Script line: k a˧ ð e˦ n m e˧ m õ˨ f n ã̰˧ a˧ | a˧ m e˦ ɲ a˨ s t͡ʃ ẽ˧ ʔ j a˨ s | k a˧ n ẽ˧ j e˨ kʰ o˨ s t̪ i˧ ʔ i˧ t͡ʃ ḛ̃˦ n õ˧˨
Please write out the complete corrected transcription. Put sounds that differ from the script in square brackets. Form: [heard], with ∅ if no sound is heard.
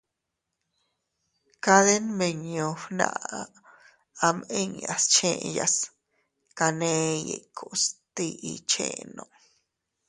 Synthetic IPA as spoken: k a˧ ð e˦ n m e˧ [ɲ] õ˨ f n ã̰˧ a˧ | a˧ m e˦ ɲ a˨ s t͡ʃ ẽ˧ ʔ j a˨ s | k a˧ n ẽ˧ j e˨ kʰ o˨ s t̪ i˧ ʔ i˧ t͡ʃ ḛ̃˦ n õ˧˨